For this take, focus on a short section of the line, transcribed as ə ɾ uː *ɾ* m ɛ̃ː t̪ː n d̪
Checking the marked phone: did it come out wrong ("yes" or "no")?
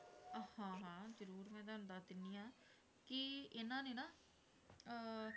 no